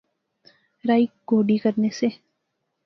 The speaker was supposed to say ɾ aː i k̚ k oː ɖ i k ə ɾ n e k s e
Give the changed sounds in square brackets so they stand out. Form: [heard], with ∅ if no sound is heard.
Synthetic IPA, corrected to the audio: ɾ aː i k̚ [ɡ] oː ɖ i k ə ɾ n e [∅] s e